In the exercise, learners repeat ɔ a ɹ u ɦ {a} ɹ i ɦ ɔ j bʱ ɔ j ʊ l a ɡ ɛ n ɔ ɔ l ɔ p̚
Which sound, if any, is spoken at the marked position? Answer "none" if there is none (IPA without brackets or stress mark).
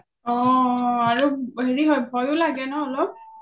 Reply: e